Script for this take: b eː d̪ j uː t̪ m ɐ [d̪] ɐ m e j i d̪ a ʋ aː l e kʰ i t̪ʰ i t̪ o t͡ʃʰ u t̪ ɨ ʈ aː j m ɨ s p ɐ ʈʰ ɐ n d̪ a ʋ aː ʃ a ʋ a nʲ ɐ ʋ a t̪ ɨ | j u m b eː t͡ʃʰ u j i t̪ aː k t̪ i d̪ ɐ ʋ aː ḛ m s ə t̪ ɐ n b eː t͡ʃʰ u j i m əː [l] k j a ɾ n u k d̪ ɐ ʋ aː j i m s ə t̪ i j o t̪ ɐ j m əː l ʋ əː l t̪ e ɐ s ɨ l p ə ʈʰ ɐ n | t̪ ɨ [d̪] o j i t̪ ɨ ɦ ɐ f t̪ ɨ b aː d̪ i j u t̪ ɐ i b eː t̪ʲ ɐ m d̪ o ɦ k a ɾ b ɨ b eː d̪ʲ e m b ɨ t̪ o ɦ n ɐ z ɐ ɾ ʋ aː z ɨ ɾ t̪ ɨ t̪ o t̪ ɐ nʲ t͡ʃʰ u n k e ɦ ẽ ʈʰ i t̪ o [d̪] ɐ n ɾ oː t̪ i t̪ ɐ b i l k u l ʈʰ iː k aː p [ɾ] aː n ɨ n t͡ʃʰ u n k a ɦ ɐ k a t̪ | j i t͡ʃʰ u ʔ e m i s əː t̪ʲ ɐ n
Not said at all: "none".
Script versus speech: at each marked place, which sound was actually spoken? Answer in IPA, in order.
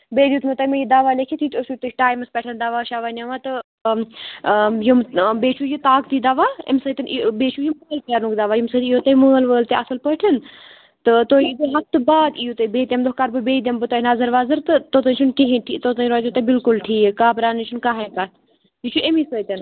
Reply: t̪, l, t̪, t̪, ɾ

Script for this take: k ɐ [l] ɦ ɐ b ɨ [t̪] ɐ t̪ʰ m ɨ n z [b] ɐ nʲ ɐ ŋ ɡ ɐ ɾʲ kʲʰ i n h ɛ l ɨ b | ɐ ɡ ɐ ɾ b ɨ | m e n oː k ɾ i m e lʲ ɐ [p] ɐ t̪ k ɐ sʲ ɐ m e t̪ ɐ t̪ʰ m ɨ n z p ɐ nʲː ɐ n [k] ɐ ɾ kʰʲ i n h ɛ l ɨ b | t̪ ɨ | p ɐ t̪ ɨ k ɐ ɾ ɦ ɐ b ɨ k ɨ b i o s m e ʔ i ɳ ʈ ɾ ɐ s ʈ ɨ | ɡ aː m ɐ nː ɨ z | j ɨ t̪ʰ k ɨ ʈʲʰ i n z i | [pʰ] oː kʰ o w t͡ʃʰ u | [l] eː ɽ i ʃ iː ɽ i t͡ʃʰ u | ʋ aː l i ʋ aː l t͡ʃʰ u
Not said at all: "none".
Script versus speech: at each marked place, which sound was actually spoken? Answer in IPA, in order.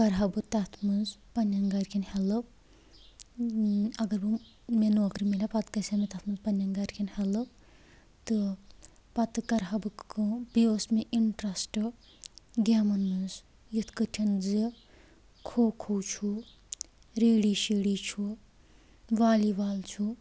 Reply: ɾ, t̪, p, p, ɡ, kʰ, ɾ

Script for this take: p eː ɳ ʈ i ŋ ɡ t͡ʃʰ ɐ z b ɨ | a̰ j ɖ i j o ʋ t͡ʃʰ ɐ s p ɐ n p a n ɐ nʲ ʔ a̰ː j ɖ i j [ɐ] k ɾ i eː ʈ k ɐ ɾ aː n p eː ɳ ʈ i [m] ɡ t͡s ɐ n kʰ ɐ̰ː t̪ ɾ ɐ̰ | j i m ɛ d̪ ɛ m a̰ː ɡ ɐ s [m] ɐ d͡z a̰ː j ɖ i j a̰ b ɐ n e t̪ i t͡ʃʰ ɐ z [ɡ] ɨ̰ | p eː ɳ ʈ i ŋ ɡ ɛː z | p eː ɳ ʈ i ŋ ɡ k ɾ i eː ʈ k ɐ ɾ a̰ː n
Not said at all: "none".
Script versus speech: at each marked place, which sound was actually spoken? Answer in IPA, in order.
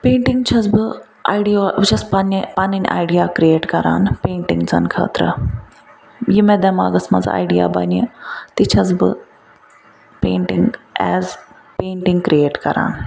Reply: a, ŋ, m, b

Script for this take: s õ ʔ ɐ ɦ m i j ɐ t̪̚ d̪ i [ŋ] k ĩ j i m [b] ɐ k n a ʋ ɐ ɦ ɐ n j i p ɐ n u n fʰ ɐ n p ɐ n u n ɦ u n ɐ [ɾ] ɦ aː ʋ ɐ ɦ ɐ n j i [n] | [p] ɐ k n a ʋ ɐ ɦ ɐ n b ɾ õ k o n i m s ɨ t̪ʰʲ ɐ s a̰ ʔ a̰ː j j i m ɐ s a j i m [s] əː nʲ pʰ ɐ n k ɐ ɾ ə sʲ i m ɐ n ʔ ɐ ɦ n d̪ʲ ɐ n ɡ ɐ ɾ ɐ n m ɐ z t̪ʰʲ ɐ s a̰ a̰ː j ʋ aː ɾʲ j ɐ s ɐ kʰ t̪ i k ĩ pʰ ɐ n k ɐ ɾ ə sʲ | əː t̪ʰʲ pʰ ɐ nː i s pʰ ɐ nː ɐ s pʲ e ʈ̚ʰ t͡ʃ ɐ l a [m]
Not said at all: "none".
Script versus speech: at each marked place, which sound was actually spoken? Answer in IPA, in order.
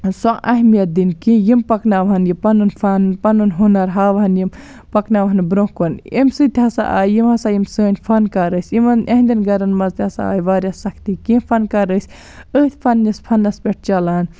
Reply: n, p, ɾ, m, p, s, n

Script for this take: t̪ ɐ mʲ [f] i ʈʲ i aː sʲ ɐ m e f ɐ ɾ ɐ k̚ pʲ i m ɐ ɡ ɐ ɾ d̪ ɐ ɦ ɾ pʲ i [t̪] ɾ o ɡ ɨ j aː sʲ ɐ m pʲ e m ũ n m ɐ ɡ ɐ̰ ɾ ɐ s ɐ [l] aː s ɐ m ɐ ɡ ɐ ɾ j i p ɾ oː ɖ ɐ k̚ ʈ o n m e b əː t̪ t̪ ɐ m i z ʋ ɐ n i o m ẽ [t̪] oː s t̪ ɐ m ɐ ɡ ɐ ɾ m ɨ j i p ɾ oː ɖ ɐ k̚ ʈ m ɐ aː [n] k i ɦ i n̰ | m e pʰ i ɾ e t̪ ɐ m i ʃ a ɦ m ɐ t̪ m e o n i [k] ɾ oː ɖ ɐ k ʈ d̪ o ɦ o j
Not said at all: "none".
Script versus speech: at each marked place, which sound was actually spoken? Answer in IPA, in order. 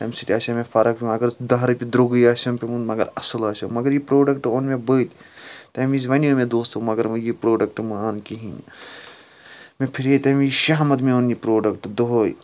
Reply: s, d̪, l, d̪, n, p

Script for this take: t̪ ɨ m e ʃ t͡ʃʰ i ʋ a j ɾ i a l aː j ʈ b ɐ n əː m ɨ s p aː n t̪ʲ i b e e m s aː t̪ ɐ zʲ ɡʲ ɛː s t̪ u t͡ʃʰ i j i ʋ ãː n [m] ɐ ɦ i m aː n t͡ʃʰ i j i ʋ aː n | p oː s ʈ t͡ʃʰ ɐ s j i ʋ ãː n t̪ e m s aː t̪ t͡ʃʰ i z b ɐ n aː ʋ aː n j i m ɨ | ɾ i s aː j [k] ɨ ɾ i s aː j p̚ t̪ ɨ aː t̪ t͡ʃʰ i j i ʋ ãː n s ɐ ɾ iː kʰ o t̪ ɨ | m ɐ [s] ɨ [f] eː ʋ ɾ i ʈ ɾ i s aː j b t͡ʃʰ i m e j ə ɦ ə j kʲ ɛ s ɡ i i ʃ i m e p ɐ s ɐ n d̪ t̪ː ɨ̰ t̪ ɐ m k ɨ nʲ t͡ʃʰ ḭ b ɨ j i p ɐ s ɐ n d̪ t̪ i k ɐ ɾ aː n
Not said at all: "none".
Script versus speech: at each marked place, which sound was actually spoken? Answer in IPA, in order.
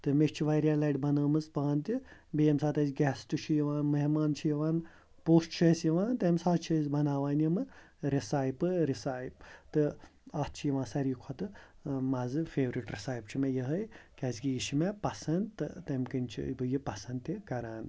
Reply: m, p, z, f

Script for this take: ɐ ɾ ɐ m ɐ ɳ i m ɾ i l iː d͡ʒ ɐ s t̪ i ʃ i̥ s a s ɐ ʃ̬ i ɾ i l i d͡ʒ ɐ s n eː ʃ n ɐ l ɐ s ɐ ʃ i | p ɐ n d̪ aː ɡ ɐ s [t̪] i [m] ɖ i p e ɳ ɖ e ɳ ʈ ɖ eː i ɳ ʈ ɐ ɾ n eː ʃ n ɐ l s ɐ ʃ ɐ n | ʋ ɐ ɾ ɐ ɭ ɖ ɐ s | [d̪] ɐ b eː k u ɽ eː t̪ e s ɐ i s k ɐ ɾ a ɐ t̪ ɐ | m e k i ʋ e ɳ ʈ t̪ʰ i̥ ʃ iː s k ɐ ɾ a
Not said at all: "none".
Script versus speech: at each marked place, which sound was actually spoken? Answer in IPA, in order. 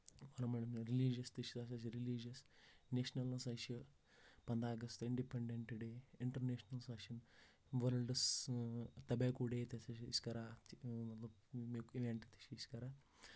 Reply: t̪, ɳ, t̪

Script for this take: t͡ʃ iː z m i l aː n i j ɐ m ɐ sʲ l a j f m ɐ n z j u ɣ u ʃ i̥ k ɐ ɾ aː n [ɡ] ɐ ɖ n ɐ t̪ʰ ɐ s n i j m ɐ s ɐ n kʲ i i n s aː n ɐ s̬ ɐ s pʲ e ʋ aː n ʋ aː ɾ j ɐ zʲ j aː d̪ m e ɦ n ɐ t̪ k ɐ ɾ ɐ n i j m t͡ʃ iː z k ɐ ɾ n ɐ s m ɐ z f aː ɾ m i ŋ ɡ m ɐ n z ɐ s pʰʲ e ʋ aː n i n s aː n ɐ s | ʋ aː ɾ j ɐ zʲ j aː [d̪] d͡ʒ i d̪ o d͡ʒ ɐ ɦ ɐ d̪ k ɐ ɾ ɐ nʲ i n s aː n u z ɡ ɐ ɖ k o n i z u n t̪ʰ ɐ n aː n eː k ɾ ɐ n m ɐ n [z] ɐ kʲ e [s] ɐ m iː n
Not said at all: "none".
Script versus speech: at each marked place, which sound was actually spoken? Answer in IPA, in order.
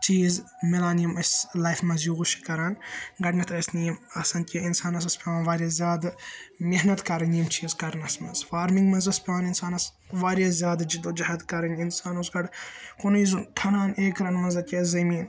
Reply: ɡ, d̪, z, z

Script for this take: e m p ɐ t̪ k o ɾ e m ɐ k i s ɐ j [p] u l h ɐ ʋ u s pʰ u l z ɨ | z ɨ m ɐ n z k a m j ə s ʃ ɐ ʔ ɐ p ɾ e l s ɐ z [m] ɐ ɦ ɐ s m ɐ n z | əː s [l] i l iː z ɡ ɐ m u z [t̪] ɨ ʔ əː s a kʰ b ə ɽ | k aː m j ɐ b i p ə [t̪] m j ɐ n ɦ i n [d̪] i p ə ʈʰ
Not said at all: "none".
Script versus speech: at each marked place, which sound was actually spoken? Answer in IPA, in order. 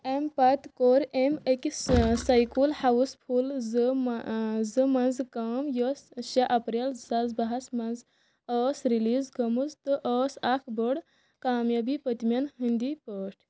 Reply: k, b, ɾ, t̪, t̪, d̪

